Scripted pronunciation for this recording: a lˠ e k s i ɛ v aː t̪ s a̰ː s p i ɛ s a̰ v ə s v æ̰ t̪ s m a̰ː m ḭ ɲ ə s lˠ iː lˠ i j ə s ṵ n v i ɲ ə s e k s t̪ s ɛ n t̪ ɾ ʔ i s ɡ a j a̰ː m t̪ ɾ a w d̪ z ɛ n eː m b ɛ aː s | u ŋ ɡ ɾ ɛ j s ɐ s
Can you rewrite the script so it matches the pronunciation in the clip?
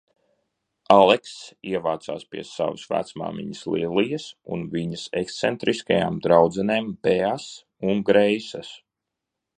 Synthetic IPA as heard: a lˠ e k s i ɛ v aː t̪ s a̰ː s p i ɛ s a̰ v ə s v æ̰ t̪ s m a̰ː m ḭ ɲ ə s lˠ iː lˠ i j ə s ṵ n v i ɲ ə s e k s t̪ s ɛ n t̪ ɾ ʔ i s k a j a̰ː m d̪ ɾ a w d̪ z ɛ n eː m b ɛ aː s | u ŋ ɡ ɾ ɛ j s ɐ s